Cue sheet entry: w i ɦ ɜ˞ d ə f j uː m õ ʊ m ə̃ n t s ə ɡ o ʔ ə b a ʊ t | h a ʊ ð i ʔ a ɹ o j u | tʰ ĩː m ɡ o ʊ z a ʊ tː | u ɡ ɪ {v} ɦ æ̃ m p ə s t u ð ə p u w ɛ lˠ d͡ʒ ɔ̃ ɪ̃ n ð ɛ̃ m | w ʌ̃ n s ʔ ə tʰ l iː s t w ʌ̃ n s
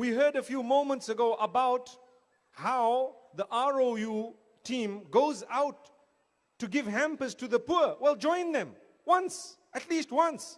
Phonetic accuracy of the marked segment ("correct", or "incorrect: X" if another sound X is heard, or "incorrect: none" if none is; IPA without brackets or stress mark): correct